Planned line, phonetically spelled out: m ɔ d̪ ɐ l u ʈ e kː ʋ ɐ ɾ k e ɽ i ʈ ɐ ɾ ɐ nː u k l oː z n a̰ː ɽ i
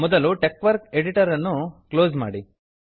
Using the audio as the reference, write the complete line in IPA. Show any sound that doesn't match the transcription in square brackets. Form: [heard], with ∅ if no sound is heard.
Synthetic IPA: m ɔ d̪ ɐ l u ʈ e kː ʋ ɐ ɾ k e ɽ i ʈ ɐ ɾ ɐ nː u k l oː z [m] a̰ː ɽ i